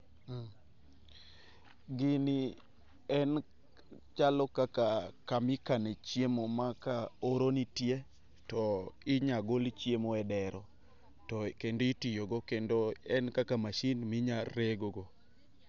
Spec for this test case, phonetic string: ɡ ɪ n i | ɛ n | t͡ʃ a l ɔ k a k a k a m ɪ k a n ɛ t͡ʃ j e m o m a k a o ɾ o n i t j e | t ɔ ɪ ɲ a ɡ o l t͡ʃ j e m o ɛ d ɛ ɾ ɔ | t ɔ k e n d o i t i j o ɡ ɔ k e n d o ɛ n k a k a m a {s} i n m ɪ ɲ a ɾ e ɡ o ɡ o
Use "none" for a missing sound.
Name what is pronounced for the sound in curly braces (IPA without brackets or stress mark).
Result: ʃ